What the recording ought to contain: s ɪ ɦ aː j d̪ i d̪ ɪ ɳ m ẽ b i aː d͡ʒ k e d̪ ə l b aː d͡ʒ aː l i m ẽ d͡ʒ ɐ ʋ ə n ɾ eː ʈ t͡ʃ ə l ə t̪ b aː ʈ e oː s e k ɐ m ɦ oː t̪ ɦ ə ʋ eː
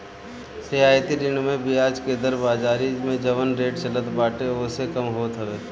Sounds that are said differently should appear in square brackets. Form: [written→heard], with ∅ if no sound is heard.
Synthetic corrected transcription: s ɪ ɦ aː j [d̪→t̪] i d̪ ɪ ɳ m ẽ b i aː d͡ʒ k e d̪ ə [l→ɾ] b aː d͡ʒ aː [l→ɾ] i m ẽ d͡ʒ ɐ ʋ ə n ɾ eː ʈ t͡ʃ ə l ə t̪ b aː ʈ e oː s e k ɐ m ɦ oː t̪ ɦ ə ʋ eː